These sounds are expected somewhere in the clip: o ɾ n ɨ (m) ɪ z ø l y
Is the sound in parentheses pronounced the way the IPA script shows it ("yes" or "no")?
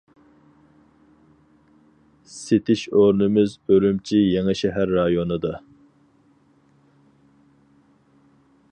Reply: yes